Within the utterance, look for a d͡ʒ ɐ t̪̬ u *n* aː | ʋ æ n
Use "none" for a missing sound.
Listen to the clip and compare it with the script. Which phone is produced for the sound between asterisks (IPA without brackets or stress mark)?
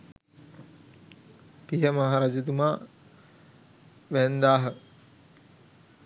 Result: m